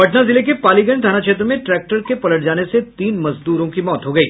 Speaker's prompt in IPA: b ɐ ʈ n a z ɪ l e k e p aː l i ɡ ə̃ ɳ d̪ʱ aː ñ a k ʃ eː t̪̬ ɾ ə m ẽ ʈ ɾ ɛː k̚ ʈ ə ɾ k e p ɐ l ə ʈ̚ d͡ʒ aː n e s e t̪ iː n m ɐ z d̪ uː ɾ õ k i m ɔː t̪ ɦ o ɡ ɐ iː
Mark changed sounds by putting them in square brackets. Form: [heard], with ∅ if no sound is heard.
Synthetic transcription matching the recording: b ɐ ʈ n a z ɪ l e k e p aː l i ɡ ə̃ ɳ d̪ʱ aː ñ a k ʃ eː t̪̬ ɾ ə m ẽ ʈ ɾ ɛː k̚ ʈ ə ɾ k e p ɐ l ə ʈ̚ d͡ʒ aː n e s e t̪ iː n m ɐ z d̪ uː ɾ õ k i m ɔː t̪ ɦ o ɡ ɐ iː